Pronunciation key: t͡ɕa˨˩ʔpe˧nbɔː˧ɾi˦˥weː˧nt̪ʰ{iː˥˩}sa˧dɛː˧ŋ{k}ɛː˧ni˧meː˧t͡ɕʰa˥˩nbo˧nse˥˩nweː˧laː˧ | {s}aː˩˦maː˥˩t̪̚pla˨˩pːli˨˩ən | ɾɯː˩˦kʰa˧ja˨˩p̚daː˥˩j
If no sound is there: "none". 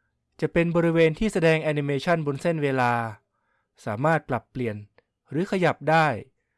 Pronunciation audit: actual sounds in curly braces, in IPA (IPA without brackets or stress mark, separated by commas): iː˥˩, ʔ, s